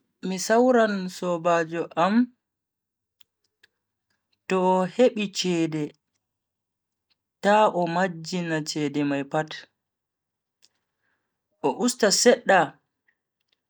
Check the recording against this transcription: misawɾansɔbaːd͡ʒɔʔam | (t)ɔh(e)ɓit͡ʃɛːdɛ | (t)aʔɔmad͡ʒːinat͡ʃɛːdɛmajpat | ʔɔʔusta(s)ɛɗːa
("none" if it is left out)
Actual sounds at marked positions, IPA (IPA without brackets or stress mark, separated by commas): t, e, t, s